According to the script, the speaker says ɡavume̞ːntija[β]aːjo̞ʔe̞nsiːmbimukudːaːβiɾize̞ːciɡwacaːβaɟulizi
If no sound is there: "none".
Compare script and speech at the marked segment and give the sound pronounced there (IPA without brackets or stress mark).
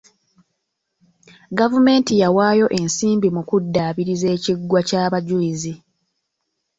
w